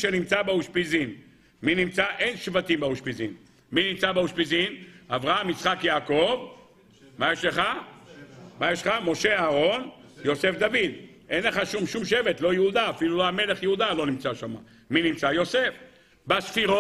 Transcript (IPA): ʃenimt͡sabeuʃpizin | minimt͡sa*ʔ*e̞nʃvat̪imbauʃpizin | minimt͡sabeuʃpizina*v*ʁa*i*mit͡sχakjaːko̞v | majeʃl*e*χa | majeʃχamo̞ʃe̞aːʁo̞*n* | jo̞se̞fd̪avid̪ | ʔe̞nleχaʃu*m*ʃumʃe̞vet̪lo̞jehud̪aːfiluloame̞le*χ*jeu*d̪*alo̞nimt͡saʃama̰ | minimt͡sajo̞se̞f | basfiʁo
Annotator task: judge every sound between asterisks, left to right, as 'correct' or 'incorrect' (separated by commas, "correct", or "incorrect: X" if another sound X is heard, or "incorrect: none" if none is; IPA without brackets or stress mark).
correct, correct, incorrect: a, correct, correct, correct, correct, correct